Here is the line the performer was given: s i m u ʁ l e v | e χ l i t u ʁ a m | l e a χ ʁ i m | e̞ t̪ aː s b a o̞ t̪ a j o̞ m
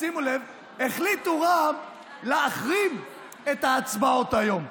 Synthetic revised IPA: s i m u l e v | e χ l i t u ʁ a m | l e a χ ʁ i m | e̞ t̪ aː t͡s b a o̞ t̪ a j o̞ m

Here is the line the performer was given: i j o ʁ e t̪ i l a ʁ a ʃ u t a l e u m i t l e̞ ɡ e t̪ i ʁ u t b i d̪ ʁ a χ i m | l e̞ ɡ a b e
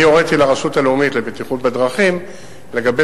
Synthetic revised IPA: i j o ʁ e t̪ i l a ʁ a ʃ u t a l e u m i t l e̞ b e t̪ i χ u t b e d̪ ʁ a χ i m | l e̞ ɡ a b e

